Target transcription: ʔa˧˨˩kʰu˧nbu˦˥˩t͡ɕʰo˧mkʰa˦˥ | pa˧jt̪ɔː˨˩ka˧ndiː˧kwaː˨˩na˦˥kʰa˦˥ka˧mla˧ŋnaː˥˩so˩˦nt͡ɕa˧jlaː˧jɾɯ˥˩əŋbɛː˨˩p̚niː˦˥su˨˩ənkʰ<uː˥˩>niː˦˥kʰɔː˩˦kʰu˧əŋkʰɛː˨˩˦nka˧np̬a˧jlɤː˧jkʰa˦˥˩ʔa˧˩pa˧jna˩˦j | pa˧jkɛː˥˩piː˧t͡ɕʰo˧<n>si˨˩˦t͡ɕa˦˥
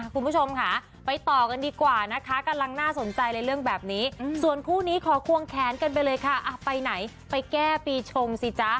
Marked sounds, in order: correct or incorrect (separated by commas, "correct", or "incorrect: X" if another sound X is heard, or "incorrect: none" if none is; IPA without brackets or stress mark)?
correct, incorrect: ŋ